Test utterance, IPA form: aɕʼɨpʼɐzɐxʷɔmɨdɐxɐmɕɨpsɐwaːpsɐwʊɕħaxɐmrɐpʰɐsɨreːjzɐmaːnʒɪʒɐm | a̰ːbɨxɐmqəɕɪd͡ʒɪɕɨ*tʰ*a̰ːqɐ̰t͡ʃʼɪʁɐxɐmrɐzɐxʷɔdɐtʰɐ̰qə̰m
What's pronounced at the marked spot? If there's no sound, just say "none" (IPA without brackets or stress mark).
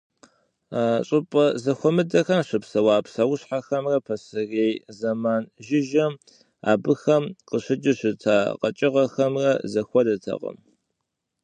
tʰ